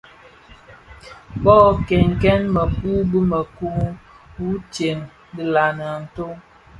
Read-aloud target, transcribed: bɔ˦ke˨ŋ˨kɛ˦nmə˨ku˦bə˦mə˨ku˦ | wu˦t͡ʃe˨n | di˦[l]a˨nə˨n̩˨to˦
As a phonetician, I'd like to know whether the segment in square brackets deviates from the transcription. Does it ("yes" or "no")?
no